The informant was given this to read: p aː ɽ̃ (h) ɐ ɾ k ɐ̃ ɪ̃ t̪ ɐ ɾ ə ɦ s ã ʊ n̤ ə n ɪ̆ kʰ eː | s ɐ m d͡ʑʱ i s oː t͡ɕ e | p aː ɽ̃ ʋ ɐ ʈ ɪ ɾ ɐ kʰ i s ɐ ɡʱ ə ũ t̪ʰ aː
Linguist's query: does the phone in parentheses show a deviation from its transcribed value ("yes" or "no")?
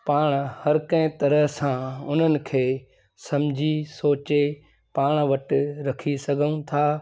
no